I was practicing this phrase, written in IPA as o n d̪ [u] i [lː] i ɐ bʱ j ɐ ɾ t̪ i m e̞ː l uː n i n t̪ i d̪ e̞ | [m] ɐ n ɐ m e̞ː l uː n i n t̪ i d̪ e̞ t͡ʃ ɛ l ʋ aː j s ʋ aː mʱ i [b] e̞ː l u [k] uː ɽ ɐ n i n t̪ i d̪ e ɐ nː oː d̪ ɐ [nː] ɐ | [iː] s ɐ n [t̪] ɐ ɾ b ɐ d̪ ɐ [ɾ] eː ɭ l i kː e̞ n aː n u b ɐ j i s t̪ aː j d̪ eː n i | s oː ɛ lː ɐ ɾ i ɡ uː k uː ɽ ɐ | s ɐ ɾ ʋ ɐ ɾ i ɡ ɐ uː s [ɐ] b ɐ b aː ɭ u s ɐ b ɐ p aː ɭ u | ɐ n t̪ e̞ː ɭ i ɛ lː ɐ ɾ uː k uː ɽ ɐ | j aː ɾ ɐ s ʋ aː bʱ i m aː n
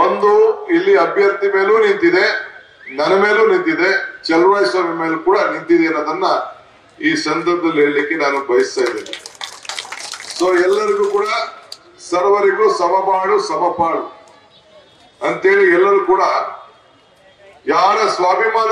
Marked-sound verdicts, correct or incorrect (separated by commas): correct, correct, incorrect, incorrect, correct, correct, correct, incorrect, incorrect, correct